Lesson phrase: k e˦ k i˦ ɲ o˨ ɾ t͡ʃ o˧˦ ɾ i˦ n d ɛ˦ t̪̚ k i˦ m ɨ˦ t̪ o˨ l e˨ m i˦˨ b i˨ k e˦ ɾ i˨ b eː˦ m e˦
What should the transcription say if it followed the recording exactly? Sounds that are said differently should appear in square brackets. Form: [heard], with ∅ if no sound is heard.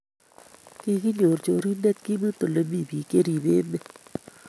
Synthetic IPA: k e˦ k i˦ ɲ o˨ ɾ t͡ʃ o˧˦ ɾ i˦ n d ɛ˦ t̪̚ k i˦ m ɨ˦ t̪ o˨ l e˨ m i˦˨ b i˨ k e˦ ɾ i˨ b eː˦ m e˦